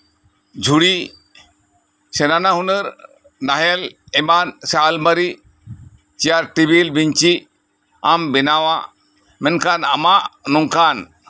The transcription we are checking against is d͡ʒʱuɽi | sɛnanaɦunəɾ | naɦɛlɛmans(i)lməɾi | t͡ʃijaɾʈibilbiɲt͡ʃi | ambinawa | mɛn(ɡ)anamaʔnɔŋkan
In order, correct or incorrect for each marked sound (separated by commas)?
incorrect, incorrect